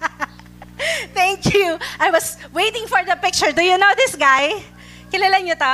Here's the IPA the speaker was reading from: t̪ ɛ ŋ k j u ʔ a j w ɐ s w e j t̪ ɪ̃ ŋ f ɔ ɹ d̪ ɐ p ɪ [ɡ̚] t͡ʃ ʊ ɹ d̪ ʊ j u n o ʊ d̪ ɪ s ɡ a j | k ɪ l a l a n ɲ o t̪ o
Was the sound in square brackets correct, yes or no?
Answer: no